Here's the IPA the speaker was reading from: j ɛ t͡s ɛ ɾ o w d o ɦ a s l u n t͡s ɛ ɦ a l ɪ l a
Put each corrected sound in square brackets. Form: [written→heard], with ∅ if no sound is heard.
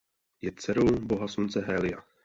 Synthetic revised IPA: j ɛ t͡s ɛ ɾ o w [d→b] o ɦ a s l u n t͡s ɛ ɦ [a→ɛ] l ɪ [l→∅] a